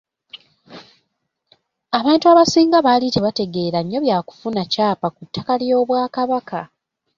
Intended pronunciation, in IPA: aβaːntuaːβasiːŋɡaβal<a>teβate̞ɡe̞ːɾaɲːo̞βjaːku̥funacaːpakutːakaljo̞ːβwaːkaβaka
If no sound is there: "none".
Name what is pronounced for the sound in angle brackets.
i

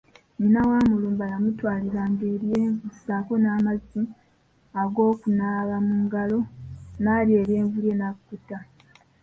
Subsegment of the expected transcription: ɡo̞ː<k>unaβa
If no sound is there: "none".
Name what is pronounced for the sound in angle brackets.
k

